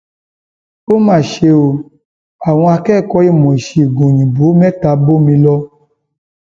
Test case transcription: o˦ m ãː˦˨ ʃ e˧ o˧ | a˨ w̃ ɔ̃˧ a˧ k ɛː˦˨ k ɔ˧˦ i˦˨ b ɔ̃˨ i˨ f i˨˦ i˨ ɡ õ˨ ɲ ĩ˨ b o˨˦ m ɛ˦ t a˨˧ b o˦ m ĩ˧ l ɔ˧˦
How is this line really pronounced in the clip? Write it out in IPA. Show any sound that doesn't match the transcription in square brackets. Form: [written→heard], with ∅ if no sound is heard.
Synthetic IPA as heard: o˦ m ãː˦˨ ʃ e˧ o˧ | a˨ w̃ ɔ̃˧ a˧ k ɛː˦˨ k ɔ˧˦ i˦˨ [b→m] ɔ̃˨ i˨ [f→ʃ] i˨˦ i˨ ɡ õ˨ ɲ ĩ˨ b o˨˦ m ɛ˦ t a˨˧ b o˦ m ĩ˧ l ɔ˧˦